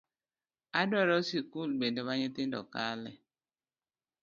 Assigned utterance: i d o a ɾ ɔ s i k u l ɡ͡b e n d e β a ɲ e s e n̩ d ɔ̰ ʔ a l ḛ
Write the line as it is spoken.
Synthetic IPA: a d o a ɾ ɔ s i k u l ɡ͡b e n d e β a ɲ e t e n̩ d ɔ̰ k a l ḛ